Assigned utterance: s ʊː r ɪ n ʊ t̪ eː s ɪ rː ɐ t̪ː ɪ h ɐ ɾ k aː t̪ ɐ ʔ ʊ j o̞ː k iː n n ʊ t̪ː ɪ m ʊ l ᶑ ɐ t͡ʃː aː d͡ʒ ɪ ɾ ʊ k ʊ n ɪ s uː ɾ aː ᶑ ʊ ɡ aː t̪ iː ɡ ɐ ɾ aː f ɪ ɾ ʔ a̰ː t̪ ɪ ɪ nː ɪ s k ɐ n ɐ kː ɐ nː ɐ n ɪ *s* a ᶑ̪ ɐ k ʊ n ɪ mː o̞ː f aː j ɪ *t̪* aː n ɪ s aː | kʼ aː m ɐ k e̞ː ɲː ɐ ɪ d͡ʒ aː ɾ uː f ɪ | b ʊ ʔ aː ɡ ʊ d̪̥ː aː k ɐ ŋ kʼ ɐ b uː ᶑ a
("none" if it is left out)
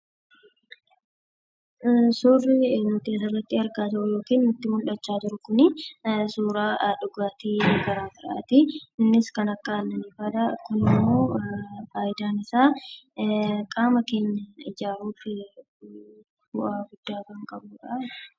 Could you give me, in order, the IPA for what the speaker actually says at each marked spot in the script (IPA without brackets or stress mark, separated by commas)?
f, d̪